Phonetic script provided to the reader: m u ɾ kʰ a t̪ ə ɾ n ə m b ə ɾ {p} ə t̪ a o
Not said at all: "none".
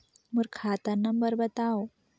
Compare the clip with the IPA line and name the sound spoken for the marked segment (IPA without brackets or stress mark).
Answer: b